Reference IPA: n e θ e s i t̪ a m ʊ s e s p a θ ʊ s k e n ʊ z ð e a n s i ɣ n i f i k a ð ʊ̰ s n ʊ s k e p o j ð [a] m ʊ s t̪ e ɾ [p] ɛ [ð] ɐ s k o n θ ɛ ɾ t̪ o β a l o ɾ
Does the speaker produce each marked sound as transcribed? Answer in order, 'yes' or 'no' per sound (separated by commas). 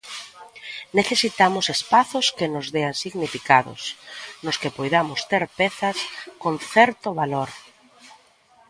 yes, yes, no